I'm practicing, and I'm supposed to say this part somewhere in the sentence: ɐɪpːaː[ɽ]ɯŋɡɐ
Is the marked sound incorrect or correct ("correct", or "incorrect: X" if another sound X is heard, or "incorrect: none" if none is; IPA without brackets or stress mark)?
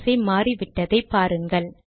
incorrect: ɾ